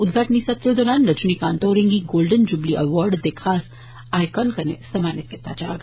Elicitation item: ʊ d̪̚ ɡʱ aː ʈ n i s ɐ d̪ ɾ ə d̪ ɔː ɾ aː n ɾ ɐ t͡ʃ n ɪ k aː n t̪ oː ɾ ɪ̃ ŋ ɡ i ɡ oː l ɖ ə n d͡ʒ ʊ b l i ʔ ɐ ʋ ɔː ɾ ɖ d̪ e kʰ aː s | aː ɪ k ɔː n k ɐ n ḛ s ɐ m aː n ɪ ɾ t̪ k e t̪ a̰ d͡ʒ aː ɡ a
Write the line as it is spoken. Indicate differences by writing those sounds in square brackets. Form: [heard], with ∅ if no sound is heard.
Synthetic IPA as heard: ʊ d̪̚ ɡʱ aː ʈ n i s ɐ [t̪] ɾ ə d̪ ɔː ɾ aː n ɾ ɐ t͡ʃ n [i] k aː n t̪ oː ɾ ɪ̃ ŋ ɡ i ɡ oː l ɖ ə n d͡ʒ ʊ b l i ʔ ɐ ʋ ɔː ɾ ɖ d̪ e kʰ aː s | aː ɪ k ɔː n k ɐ n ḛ s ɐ m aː n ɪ [∅] t̪ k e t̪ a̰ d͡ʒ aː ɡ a